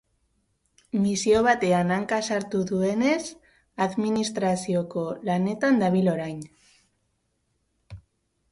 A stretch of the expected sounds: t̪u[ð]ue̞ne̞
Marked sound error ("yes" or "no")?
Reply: no